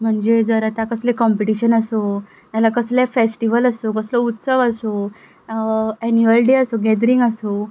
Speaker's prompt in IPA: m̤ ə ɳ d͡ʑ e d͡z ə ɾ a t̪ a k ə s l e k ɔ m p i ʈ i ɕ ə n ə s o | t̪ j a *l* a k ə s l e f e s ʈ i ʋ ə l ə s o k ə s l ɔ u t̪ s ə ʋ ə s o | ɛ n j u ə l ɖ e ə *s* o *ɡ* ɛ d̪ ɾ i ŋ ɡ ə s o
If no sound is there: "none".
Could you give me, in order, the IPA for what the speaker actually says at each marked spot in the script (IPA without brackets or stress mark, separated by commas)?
l, s, ɡ